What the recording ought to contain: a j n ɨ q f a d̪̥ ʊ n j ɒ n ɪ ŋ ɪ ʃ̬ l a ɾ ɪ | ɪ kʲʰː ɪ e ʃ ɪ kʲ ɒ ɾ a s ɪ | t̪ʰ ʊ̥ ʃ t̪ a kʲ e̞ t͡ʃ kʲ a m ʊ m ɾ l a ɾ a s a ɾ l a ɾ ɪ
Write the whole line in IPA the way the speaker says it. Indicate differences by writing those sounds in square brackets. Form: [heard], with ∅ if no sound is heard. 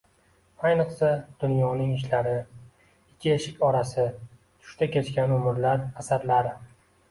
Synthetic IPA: a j n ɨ q [s] a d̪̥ ʊ n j ɒ n ɪ ŋ ɪ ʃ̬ l a ɾ ɪ | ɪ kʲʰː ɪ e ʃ ɪ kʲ ɒ ɾ a s ɪ | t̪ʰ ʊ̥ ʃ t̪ a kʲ e̞ t͡ʃ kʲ a [n] ʊ m ɾ l a ɾ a s a ɾ l a ɾ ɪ